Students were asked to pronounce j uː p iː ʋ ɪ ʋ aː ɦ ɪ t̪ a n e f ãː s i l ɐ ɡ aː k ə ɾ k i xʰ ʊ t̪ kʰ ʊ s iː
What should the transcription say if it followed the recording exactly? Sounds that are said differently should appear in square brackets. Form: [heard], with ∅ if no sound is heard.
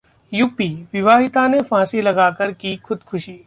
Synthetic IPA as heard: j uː p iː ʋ ɪ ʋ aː ɦ ɪ t̪ a n e f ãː s i l ɐ ɡ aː k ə ɾ k i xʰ ʊ [d̪] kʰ ʊ [ʃ] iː